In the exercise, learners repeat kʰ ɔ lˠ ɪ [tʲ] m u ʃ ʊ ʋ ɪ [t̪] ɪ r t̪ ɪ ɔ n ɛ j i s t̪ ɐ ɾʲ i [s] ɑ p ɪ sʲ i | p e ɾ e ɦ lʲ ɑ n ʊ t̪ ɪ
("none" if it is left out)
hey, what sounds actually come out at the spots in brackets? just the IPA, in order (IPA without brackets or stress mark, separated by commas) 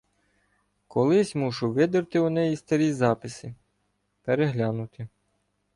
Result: sʲ, d̪, z